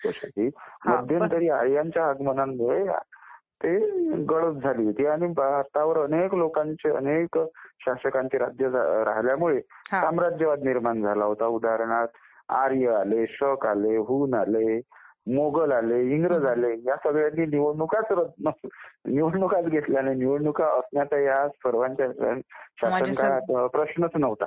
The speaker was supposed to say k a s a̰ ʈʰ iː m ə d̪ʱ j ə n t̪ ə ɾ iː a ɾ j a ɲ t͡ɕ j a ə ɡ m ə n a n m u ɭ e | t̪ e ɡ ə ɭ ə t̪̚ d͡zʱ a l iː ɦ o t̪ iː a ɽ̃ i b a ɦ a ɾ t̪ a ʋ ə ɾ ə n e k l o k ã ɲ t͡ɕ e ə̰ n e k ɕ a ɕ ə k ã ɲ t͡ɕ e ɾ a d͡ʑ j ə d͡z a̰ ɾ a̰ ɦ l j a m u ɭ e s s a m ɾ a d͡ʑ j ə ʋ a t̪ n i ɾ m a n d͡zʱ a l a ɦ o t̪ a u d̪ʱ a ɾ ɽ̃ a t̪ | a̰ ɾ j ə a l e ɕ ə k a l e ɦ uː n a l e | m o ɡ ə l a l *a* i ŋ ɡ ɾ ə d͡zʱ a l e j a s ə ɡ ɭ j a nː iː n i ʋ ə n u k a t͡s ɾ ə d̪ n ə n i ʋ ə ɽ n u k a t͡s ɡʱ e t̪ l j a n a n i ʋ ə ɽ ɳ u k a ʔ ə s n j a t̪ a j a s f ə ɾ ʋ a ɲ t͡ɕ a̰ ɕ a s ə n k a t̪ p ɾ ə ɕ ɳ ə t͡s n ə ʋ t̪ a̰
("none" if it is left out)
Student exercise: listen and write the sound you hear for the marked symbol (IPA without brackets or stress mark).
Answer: e